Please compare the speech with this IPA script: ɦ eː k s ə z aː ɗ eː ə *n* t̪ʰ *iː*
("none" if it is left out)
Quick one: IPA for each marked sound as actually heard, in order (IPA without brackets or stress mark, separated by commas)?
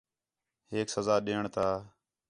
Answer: ɳ, aː